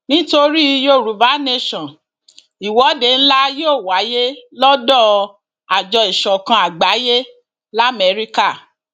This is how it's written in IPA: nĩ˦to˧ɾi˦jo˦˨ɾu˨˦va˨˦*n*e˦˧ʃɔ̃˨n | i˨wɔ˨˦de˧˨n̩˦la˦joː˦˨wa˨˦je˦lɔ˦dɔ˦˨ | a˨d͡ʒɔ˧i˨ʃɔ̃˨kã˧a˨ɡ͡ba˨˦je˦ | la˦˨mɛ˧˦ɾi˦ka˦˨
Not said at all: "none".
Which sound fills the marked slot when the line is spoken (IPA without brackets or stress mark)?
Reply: n